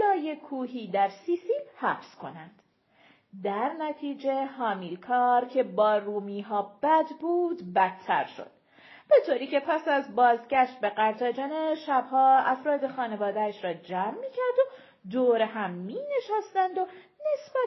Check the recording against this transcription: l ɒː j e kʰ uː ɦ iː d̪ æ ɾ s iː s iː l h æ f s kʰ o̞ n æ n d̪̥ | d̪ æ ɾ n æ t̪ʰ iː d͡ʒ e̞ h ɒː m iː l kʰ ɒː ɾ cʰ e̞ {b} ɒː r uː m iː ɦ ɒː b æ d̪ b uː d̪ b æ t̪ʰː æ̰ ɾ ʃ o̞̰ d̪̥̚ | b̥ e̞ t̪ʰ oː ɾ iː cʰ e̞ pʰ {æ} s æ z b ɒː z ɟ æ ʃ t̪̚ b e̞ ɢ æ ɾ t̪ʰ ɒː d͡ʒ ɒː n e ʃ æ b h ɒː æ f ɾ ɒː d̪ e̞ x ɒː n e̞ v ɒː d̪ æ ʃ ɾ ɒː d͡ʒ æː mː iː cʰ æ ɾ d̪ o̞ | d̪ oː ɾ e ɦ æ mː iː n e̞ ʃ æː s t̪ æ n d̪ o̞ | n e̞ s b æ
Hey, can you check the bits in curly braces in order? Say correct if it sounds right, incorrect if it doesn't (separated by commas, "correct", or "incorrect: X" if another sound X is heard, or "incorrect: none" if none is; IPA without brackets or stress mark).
correct, correct